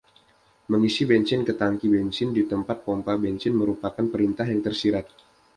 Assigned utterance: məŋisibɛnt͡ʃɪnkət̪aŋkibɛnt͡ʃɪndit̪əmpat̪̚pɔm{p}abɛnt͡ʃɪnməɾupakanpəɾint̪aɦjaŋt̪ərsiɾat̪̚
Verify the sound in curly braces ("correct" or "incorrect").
correct